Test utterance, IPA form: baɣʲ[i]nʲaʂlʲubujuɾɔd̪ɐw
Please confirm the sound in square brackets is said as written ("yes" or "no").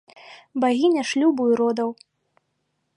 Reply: yes